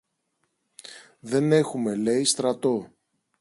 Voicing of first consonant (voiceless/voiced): voiced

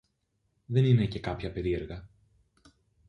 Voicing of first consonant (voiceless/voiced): voiced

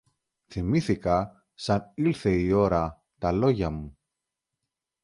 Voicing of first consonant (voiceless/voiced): voiceless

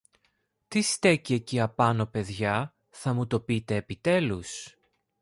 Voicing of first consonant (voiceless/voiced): voiceless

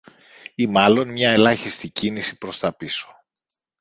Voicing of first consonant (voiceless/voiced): voiced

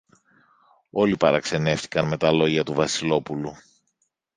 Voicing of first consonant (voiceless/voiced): voiced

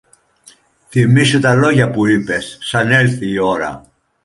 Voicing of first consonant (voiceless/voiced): voiceless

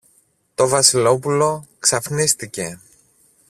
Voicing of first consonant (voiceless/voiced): voiceless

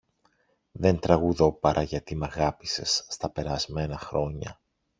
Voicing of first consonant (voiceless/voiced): voiced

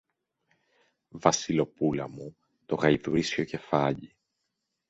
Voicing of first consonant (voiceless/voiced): voiced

